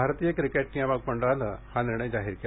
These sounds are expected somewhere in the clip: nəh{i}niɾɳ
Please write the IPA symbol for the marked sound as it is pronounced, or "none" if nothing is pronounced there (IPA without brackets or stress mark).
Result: a